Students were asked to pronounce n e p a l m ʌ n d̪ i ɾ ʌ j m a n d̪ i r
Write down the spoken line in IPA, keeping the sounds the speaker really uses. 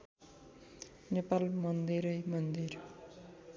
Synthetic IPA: n e p a l m ʌ n d̪ i ɾ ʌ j m ʌ n d̪ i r